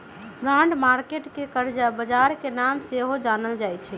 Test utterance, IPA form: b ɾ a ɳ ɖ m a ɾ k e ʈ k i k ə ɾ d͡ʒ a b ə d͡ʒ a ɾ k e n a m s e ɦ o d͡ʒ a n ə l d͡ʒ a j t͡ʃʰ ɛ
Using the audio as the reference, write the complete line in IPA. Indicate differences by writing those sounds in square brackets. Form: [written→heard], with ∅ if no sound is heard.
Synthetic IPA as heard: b ɾ a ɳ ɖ m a ɾ k e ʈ k [i→e] k ə ɾ d͡ʒ a b ə d͡ʒ a ɾ k e n a m s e ɦ o d͡ʒ a n ə l d͡ʒ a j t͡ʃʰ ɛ